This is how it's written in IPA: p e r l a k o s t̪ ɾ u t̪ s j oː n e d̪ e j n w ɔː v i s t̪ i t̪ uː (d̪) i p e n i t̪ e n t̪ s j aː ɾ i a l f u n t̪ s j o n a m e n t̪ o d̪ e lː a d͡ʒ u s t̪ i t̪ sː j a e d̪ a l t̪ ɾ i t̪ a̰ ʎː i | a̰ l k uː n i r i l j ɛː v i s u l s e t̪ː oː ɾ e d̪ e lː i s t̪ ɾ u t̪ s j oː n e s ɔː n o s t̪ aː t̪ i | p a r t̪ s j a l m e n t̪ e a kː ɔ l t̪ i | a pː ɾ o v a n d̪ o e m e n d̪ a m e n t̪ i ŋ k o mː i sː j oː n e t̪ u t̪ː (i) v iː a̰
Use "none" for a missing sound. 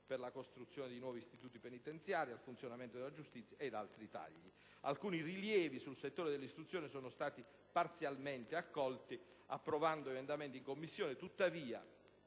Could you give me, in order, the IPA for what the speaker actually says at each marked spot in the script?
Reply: t̪, a

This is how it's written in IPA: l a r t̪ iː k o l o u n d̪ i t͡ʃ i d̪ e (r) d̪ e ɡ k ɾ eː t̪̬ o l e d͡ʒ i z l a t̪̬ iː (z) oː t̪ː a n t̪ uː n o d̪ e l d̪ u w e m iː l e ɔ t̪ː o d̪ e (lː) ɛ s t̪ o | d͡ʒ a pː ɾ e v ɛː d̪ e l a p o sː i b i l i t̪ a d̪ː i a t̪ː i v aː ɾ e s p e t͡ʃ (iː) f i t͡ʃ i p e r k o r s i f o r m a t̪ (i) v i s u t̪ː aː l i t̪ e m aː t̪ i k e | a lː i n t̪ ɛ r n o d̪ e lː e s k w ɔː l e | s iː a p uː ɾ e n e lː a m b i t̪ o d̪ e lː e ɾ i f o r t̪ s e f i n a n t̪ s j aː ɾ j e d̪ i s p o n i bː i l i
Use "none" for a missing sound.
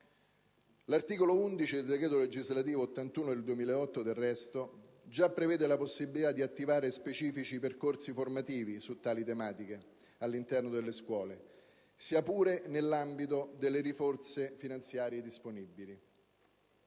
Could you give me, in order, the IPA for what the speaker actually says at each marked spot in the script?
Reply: l, v, rː, iː, iː

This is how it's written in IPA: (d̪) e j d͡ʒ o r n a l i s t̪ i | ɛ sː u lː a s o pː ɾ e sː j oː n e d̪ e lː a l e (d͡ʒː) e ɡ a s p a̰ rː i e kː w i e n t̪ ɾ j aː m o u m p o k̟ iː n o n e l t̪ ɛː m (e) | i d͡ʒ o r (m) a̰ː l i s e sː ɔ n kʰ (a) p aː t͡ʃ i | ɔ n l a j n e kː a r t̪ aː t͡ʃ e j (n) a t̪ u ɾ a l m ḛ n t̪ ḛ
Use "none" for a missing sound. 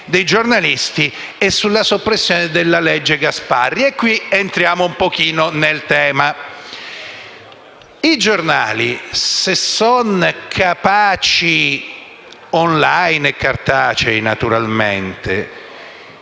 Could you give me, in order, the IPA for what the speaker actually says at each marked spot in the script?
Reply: d̪, d͡ʒː, a, n, a, n

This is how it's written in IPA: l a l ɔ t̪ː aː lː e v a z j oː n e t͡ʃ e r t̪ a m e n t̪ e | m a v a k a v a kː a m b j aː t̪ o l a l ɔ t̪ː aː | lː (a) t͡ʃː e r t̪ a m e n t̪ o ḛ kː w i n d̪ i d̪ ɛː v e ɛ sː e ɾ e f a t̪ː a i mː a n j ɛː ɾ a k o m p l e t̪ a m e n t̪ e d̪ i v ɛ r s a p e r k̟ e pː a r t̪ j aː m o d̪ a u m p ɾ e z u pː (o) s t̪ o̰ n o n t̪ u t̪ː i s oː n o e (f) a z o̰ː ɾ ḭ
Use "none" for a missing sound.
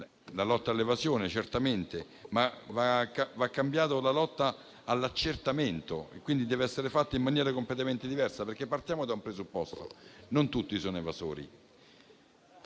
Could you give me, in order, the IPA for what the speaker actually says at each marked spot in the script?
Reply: a, ɔ, v

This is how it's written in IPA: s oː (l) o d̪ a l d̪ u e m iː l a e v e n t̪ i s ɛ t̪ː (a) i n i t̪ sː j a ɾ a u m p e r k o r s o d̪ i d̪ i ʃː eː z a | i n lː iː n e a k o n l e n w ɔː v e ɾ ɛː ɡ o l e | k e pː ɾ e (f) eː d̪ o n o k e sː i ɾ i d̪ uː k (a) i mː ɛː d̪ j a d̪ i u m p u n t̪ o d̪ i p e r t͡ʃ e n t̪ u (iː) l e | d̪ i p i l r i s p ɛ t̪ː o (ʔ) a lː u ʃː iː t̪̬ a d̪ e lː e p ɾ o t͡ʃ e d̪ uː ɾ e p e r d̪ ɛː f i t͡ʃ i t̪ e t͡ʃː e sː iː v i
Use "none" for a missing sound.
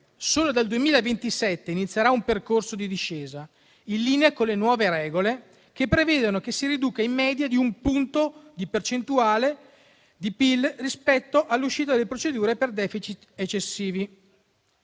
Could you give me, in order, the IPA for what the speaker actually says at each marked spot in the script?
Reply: l, e, v, a, aː, ʔ

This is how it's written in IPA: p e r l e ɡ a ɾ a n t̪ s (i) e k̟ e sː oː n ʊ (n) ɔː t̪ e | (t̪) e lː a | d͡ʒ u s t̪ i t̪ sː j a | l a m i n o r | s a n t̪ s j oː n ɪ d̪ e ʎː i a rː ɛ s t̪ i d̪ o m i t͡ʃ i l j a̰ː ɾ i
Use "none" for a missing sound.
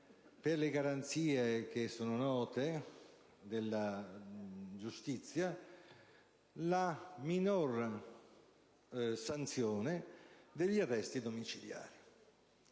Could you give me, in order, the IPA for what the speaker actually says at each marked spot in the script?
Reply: iː, n, d̪

